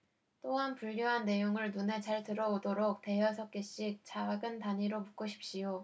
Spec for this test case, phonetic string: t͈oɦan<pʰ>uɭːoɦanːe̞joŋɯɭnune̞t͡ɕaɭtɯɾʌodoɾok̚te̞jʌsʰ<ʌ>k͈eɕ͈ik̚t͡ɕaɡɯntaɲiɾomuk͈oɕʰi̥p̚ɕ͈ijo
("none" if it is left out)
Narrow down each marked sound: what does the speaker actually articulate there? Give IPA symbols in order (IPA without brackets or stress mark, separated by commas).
p, ʌ